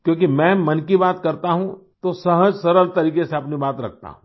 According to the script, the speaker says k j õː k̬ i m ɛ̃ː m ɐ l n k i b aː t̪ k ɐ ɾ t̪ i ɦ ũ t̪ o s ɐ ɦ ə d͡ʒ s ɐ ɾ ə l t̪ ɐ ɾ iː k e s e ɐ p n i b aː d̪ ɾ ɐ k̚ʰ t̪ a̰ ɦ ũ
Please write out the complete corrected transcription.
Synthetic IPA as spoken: k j õː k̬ i m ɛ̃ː m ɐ n k i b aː t̪ k ɐ ɾ t̪ a ɦ ũ t̪ o s ɐ ɦ ə d͡ʒ s ɐ ɾ ə l t̪ ɐ ɾ iː k e s e ɐ p n i b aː t̪ ɾ ɐ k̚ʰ t̪ a̰ ɦ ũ